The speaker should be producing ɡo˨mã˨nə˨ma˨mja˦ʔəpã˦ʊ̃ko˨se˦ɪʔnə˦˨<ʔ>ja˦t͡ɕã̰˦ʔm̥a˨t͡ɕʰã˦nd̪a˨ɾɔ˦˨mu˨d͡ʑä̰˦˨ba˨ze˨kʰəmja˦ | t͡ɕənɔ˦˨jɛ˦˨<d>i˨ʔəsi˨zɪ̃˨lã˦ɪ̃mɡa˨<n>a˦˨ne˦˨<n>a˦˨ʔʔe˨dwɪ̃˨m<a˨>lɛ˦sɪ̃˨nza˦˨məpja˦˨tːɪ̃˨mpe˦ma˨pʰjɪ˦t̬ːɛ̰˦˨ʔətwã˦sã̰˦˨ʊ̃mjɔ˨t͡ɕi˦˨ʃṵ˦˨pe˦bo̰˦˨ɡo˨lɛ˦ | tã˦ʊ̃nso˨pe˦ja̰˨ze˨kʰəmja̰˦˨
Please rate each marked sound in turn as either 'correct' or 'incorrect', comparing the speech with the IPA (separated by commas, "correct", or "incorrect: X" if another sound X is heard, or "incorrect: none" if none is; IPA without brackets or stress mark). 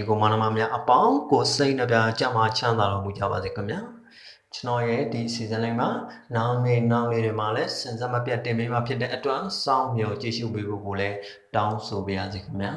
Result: incorrect: p, correct, correct, correct, correct